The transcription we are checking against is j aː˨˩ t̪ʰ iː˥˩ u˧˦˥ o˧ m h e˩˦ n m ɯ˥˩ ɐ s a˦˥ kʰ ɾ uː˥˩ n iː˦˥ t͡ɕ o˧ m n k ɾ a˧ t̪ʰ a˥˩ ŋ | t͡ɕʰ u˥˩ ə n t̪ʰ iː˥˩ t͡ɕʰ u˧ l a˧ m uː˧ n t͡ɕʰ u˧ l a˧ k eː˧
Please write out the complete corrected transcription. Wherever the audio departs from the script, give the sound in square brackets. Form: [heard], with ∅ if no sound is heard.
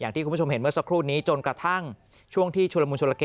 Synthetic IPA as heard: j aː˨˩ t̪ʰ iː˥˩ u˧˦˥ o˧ m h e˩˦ n m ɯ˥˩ ɐ s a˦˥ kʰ ɾ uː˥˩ n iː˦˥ t͡ɕ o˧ [∅] n k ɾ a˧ t̪ʰ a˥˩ ŋ | t͡ɕʰ u˥˩ ə [ŋ] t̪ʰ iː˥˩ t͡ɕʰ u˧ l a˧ m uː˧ n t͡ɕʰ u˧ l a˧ k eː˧